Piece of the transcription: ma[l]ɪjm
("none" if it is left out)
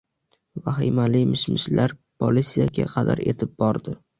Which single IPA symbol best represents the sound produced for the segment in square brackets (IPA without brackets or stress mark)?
l